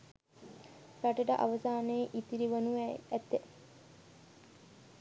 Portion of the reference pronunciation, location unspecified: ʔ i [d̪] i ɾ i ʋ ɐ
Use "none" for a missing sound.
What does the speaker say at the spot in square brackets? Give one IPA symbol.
t̪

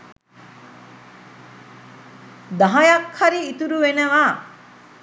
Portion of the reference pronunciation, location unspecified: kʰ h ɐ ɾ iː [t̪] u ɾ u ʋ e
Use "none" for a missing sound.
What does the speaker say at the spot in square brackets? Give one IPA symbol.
t̪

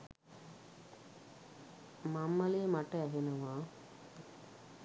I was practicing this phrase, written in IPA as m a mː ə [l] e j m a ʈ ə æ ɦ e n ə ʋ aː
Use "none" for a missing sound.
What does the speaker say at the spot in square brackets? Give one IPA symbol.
l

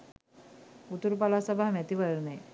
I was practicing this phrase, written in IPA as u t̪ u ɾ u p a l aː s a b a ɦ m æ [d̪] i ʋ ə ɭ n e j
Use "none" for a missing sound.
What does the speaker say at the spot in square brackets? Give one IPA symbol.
t̪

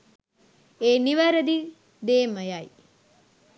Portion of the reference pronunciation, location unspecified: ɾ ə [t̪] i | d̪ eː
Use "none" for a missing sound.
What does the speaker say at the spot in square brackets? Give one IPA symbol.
d̪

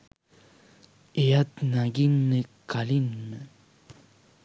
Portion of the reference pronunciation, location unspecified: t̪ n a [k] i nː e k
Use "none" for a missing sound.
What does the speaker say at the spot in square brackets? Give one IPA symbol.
ɡ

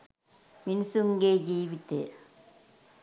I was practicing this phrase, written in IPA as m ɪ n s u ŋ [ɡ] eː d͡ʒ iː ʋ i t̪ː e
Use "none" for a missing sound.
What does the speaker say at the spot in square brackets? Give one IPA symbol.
ɡ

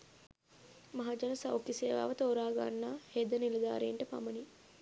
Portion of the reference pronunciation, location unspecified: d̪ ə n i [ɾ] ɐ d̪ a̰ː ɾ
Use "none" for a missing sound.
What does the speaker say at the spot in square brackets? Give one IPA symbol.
l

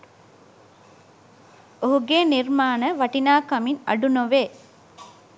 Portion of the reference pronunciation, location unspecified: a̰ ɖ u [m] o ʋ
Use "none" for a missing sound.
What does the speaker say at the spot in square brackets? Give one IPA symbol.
n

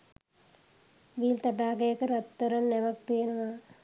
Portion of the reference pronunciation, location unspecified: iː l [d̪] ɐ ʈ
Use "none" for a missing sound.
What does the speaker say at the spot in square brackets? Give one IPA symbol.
t̪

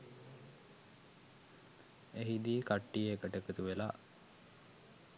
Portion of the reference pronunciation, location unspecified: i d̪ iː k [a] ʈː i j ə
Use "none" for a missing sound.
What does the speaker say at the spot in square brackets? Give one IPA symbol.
a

